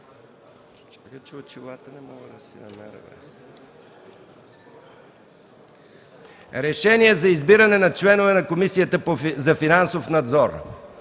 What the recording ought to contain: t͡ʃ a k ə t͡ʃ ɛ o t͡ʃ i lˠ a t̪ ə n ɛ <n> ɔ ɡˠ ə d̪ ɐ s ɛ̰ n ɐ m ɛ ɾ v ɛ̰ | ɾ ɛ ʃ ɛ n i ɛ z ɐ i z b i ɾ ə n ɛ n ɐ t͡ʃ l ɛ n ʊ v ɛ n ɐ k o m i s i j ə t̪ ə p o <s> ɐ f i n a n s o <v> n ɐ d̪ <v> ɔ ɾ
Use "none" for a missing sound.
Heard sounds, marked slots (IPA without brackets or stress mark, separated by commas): m, z, f, z